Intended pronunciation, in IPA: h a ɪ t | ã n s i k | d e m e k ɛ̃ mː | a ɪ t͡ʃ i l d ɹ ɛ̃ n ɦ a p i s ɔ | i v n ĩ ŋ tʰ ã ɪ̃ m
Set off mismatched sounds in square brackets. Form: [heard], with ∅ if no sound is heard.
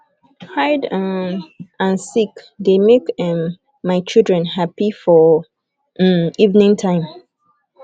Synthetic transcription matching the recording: h a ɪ [d] | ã n s i k | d e m e k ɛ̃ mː | a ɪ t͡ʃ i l d ɹ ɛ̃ n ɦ a p i [f] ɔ | i v n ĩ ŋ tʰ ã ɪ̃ m